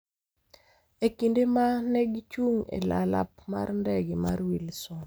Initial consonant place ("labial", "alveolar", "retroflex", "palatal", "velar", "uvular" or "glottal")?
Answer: velar